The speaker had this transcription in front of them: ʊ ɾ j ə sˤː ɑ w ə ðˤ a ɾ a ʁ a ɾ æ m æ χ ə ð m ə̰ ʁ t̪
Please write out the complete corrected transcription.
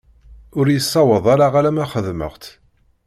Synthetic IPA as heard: ʊ ɾ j ə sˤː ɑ w ə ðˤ a ɾ a ʁ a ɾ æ m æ χ ə ð m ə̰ ʁ t̪